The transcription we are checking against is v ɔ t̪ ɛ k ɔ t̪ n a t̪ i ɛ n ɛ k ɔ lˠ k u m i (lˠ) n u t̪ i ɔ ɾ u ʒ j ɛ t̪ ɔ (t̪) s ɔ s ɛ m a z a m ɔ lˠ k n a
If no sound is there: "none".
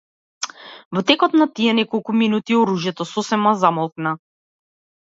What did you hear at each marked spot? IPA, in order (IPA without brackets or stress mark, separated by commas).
none, none